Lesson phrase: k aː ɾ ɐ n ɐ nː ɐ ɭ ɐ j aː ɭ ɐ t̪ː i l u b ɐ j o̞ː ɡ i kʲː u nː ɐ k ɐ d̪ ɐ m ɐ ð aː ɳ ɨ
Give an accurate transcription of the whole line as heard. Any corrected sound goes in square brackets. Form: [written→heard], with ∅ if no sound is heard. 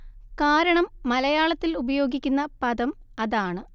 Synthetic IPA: k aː ɾ ɐ [n→ɳ] ɐ [nː→mː] ɐ [ɭ→l] ɐ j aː ɭ ɐ t̪ː i l u b ɐ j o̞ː ɡ i kʲː u nː ɐ [k→p] ɐ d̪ ɐ m ɐ ð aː ɳ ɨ